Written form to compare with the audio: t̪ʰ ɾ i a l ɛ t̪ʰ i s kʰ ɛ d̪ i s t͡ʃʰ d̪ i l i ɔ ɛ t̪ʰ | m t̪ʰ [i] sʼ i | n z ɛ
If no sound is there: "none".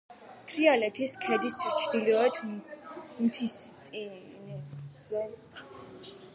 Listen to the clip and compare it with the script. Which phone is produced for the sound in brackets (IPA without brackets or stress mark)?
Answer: i